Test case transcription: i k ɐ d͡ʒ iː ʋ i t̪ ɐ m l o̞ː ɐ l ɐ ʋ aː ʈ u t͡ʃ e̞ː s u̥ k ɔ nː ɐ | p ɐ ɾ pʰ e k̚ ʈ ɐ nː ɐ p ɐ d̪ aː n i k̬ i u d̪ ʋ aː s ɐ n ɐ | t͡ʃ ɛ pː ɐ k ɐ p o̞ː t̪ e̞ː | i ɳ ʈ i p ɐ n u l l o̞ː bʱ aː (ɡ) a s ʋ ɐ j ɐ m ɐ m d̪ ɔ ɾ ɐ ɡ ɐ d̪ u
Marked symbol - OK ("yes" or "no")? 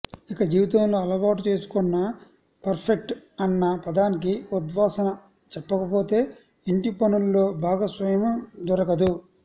yes